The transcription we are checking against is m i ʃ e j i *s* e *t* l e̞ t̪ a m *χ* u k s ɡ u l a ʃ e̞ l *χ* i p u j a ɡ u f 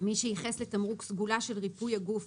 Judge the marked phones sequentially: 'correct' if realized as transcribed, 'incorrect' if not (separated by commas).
incorrect, incorrect, incorrect, incorrect